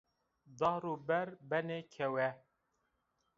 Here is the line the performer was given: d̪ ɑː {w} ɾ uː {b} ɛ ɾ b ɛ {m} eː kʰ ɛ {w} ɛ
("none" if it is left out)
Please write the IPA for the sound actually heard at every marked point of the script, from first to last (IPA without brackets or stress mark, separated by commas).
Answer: none, b, n, w